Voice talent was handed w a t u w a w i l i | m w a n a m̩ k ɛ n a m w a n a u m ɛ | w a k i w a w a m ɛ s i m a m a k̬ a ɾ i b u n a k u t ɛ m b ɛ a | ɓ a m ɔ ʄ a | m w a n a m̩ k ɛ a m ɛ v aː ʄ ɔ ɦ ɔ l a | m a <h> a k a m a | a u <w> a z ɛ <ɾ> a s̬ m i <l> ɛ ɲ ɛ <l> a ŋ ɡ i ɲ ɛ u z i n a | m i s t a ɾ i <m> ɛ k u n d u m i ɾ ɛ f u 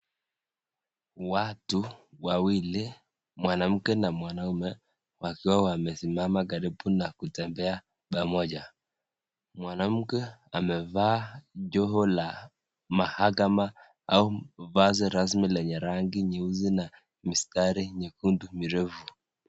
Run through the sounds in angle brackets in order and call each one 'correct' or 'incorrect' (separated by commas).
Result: correct, incorrect, correct, correct, incorrect, incorrect